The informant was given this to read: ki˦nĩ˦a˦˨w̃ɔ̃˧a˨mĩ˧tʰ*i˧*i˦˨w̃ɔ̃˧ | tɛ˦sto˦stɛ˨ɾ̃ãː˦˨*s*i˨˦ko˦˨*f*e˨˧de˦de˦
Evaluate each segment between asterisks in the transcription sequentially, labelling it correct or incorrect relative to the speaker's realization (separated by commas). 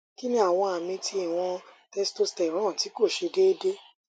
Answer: correct, incorrect, incorrect